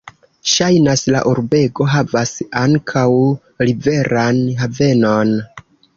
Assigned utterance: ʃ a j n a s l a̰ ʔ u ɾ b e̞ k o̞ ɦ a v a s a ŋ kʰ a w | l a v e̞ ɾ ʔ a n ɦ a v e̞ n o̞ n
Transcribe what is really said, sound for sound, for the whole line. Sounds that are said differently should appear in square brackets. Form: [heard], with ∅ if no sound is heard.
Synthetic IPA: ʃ a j n a s l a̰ ʔ u ɾ b e̞ [ɡ] o̞ ɦ a v a s a ŋ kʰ a w | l [i] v e̞ ɾ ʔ a n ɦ a v e̞ n o̞ n